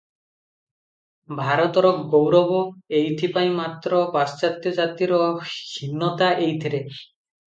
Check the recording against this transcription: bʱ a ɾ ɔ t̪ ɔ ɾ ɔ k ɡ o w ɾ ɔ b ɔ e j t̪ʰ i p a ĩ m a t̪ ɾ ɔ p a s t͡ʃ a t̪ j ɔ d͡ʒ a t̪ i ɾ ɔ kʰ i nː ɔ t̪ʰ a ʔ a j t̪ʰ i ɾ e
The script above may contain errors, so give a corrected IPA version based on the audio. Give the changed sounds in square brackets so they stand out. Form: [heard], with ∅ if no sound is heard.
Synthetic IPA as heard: bʱ a ɾ ɔ t̪ ɔ ɾ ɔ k ɡ o w ɾ ɔ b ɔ e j t̪ʰ i p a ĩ m a t̪ ɾ ɔ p a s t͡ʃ a t̪ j ɔ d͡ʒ a t̪ i ɾ ɔ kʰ i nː ɔ [t̪] a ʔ [e] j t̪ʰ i ɾ e